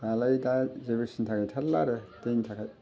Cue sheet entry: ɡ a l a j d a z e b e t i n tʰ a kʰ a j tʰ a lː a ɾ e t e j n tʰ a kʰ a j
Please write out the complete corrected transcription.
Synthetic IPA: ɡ a l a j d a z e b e s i n tʰ a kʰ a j tʰ a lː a ɾ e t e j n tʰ a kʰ a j